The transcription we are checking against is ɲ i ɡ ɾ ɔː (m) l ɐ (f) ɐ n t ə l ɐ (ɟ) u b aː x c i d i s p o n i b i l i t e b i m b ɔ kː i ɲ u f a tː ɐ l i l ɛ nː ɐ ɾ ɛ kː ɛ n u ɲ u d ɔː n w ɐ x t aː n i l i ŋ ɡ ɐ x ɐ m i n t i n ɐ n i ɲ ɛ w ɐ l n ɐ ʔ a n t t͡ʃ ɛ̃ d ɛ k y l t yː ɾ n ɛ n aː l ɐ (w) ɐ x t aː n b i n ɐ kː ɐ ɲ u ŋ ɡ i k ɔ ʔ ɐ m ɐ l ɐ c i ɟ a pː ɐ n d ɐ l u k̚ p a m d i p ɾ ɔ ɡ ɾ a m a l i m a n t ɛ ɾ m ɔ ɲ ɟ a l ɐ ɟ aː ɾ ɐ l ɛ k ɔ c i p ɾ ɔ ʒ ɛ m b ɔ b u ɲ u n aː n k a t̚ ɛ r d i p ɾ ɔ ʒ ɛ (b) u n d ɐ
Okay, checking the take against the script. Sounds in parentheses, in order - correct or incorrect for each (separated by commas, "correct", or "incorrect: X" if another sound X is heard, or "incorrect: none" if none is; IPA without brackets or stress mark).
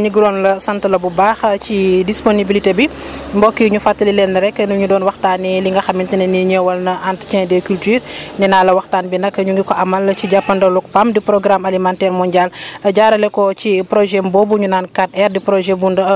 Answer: incorrect: n, incorrect: s, incorrect: b, correct, correct